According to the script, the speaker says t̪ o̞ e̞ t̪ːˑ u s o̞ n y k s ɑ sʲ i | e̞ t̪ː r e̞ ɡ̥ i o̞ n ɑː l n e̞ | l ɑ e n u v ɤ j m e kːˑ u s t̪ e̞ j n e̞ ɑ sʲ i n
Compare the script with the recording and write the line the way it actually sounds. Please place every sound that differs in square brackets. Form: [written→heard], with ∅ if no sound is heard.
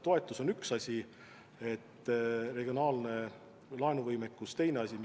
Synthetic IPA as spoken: t̪ o̞ e̞ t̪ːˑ u s o̞ n y k s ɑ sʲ i | e̞ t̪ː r e̞ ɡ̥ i o̞ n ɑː l n e̞ | l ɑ e n u v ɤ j m e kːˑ u s t̪ e̞ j n e̞ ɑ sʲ i [n→m]